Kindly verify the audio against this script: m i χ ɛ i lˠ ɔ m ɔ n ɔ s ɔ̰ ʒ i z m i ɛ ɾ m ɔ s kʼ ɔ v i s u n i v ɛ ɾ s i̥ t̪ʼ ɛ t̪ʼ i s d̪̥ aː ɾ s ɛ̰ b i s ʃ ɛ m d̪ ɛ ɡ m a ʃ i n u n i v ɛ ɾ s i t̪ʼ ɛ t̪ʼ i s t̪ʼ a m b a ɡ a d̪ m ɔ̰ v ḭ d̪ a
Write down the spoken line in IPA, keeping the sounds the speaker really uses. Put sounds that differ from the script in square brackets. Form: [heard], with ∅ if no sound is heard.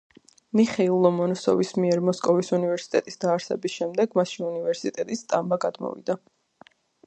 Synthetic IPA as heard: m i χ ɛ i lˠ ɔ m ɔ n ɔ s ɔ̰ [v] i [s] m i ɛ ɾ m ɔ s kʼ ɔ v i s u n i v ɛ ɾ s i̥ t̪ʼ ɛ t̪ʼ i s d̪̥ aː ɾ s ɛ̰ b i s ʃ ɛ m d̪ ɛ ɡ m a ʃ i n u n i v ɛ ɾ s i t̪ʼ ɛ t̪ʼ i s t̪ʼ a m b a ɡ a d̪ m ɔ̰ v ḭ d̪ a